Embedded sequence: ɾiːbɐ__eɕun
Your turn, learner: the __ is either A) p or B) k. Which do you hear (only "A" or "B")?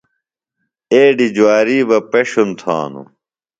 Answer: A